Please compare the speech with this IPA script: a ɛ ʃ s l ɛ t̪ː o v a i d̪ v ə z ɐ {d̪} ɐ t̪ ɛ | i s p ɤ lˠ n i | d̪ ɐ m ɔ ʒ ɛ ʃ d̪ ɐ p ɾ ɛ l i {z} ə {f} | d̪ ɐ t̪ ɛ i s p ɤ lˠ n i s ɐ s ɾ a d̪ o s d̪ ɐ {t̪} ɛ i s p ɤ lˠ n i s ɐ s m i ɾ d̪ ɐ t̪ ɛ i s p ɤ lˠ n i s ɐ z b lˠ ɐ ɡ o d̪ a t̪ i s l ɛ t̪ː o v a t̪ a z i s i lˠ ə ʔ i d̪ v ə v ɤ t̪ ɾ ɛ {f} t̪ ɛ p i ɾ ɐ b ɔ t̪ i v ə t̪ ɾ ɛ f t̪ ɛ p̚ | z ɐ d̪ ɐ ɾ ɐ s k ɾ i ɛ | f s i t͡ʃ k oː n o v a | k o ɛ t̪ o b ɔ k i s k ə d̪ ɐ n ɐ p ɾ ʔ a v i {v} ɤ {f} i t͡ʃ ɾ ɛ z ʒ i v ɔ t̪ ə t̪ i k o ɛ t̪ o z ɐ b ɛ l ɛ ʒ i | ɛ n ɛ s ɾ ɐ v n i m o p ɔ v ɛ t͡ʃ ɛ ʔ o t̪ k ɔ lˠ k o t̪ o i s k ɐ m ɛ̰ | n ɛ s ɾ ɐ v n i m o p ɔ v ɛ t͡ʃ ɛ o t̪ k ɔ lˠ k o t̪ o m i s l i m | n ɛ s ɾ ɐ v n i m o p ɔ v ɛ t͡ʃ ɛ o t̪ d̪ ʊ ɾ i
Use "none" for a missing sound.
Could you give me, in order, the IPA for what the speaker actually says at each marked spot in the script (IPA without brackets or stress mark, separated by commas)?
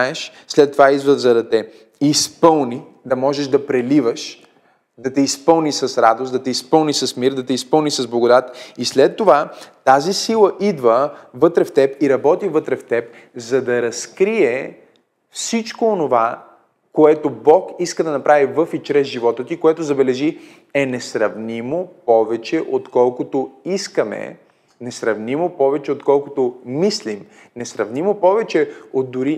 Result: d̪, v, ʃ, t̪, f, v, f